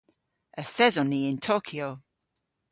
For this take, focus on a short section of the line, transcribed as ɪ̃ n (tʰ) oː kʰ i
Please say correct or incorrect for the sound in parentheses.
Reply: correct